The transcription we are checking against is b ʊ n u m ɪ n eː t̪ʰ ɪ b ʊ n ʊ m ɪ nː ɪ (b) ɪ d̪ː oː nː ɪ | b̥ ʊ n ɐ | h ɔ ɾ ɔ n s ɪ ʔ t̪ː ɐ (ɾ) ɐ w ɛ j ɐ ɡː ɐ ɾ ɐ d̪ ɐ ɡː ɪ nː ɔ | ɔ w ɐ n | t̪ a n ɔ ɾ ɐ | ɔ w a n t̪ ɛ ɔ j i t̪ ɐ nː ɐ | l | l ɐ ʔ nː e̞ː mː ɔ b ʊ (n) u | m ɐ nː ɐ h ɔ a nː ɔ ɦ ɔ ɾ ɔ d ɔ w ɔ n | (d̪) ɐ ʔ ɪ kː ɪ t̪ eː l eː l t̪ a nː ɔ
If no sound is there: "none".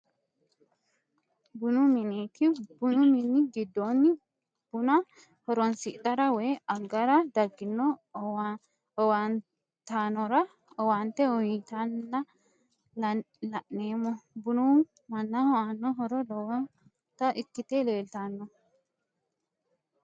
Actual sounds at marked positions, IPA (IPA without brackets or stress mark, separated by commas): ɡ, ɾ, n, t̪